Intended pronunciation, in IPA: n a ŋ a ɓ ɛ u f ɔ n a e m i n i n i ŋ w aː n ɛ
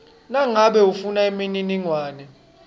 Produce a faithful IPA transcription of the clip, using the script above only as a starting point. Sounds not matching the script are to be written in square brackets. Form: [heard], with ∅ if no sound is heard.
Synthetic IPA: n a ŋ a ɓ ɛ u f [u] n a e m i n i n i ŋ w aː n ɛ